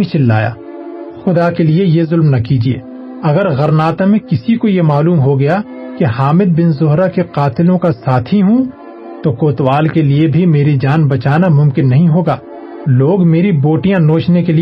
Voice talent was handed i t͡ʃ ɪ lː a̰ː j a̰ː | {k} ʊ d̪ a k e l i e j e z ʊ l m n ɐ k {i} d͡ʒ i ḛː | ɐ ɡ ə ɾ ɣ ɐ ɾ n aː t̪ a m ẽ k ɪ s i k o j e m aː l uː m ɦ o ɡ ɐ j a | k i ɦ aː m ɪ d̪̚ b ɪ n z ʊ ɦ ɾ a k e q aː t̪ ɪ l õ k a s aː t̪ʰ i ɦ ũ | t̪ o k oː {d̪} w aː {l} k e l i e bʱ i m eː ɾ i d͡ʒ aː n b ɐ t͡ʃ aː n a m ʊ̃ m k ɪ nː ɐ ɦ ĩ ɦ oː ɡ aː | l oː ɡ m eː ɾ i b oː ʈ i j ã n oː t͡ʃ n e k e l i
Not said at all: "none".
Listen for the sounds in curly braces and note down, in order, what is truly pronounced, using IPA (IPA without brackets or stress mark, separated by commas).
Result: x, iː, t̪, l